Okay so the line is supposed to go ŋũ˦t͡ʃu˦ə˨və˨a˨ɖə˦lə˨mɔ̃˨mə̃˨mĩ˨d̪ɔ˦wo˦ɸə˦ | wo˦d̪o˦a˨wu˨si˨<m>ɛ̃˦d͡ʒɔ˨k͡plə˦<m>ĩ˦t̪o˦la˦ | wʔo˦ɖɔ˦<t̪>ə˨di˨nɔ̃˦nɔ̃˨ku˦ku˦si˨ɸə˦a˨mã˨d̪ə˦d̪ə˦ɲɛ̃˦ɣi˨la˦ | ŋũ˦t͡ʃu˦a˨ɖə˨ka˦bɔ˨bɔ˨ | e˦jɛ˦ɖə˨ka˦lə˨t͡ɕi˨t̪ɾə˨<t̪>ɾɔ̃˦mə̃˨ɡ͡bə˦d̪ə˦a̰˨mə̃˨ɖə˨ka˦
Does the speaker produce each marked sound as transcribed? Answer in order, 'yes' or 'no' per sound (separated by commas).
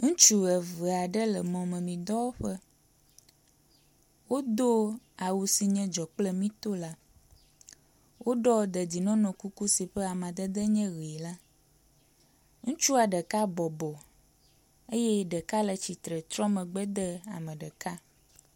no, yes, no, yes